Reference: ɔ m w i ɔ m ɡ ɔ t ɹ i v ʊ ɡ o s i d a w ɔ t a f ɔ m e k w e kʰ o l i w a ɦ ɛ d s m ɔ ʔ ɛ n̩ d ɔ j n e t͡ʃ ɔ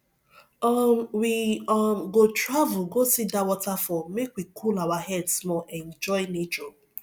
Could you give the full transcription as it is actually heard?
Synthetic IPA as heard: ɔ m w i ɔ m ɡ o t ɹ a v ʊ ɡ o s i d a w ɔ t a f ɔ m e k w i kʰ u l a w a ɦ ɛ d s m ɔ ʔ ɛ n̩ d͡ʒ ɔ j n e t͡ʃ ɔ